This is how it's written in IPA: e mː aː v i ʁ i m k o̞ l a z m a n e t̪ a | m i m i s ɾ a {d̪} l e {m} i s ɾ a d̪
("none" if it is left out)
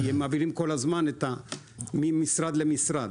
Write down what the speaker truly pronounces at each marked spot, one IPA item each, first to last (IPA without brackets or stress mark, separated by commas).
d̪, m